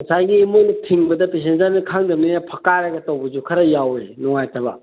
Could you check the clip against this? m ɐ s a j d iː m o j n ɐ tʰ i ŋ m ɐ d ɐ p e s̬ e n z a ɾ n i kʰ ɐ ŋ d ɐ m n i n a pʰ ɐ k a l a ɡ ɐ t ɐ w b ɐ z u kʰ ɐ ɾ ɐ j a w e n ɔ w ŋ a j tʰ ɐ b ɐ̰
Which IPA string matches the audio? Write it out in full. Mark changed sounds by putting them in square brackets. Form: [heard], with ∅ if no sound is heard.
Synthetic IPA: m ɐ s a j [ɡ] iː m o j n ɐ tʰ i ŋ [b] ɐ d ɐ p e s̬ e n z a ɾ n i kʰ [a] ŋ d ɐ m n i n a pʰ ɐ k a [ɾ] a ɡ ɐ t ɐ w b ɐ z u kʰ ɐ ɾ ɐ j a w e n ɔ [∅] ŋ a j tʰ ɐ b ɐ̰